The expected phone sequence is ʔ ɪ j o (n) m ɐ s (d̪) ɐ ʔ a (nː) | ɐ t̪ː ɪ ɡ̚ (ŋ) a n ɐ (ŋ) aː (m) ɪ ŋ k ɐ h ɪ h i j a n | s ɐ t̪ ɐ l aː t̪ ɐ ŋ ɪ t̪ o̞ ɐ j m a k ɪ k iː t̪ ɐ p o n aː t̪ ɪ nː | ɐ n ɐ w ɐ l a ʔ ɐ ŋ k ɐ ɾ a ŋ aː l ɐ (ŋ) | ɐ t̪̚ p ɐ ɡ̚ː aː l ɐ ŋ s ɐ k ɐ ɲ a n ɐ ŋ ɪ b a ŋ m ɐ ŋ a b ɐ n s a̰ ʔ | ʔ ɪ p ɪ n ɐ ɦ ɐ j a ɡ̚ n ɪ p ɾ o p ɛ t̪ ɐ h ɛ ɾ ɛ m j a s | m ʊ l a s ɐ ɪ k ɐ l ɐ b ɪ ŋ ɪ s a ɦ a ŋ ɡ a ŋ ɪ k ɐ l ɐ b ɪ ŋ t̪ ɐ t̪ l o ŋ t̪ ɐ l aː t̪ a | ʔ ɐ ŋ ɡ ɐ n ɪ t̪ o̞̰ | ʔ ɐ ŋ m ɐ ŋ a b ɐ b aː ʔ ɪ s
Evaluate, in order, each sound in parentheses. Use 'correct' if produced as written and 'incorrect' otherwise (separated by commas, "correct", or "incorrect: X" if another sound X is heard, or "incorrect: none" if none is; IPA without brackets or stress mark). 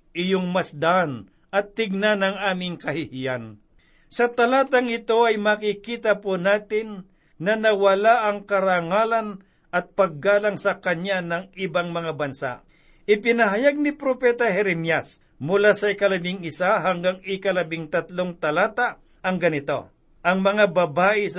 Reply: incorrect: ŋ, correct, incorrect: n, incorrect: n, correct, correct, incorrect: n